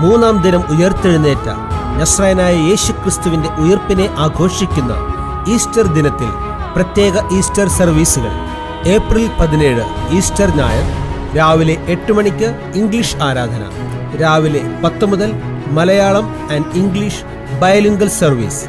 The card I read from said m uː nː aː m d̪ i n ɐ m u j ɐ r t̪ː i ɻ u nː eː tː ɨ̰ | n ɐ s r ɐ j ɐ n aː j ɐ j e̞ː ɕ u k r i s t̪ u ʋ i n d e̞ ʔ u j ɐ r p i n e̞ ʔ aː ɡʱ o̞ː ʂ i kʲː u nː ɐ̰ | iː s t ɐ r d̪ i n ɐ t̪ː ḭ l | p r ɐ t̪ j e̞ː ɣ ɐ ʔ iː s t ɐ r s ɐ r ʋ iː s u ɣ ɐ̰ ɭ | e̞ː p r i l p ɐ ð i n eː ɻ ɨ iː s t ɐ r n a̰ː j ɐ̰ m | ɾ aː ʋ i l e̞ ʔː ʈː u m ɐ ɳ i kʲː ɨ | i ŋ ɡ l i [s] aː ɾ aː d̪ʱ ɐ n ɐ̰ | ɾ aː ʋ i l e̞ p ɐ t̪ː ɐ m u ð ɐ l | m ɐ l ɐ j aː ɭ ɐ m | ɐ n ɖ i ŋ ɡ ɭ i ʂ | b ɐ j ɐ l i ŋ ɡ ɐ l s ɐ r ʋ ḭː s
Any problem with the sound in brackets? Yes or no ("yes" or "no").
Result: yes